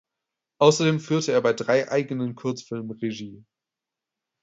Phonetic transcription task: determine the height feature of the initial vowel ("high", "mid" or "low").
low